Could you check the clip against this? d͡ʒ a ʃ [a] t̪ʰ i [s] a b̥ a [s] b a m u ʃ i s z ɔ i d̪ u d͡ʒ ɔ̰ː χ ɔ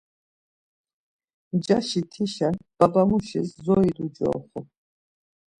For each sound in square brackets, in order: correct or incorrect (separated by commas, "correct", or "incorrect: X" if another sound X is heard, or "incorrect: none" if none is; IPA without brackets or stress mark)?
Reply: incorrect: i, incorrect: ʃ, incorrect: none